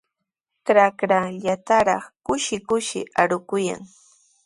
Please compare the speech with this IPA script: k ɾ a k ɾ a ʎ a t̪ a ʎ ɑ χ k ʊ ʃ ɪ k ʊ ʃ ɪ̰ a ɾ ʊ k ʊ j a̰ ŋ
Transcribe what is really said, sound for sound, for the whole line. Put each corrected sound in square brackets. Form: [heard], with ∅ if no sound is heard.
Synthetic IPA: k ɾ a k ɾ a ʎ a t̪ a [ɾ] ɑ χ k ʊ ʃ ɪ k ʊ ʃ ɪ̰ a ɾ ʊ k ʊ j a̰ ŋ